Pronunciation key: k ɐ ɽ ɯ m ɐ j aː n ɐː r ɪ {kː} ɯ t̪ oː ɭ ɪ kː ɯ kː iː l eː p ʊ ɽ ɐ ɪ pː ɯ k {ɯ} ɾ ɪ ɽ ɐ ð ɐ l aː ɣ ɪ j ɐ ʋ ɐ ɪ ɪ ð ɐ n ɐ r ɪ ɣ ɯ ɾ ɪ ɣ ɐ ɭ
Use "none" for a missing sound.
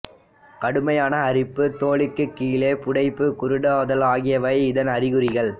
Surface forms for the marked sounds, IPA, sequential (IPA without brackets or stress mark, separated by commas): pː, ʊ